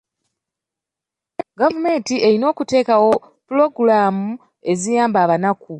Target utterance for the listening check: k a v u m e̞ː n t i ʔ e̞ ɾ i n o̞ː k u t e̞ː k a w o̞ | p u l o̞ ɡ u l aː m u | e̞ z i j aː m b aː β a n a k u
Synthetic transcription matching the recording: ɡ a v u m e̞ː n t i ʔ e̞ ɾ i n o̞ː k u t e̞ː k a w o̞ | p u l o̞ ɡ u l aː m u | e̞ z i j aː m b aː β a n a k u